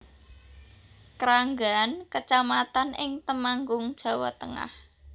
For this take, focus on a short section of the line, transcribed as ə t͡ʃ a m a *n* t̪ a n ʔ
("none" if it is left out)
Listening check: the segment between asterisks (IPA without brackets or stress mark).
none